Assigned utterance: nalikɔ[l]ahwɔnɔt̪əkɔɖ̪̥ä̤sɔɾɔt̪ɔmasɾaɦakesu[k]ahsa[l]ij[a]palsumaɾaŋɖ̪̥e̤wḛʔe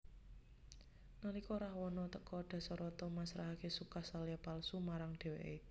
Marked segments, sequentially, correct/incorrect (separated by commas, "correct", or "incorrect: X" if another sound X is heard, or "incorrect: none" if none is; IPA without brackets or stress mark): incorrect: ɾ, correct, correct, correct